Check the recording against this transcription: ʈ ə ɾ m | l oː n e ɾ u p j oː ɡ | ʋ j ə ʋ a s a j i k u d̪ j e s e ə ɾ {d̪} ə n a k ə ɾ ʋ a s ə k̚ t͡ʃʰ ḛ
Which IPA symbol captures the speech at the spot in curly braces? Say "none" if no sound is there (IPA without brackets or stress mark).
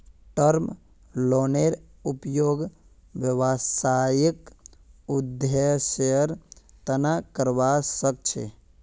t̪